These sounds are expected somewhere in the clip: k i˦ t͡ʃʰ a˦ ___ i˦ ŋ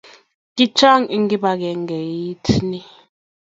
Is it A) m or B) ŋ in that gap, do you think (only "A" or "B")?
B